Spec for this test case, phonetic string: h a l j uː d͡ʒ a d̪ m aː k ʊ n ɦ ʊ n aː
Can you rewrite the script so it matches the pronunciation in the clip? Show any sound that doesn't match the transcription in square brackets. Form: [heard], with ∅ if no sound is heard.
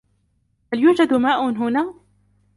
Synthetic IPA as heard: h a l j uː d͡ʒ a d̪ m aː [ʔ] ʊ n ɦ ʊ n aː